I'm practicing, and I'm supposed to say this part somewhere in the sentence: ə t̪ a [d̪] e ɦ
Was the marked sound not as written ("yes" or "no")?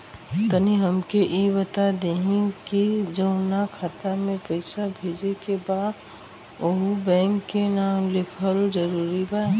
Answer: no